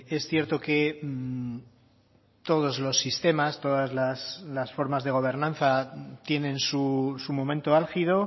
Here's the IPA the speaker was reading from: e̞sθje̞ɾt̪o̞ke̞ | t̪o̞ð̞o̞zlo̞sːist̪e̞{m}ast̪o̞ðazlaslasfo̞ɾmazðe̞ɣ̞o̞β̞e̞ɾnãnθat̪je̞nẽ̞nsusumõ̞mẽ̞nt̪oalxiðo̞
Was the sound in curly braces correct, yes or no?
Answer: yes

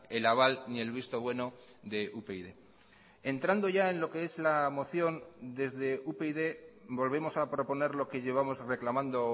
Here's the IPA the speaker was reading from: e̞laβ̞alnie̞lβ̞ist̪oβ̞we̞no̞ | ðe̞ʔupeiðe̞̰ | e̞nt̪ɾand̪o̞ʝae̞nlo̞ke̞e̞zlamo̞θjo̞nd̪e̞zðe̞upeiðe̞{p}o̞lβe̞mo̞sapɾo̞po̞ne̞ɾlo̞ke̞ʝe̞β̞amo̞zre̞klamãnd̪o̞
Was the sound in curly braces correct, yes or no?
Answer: no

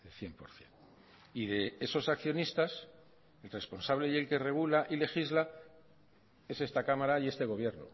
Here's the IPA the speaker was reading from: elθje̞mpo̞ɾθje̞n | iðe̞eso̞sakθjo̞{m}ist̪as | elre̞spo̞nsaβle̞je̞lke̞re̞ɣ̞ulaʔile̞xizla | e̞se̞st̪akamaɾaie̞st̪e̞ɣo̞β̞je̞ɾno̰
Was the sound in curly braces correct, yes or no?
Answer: no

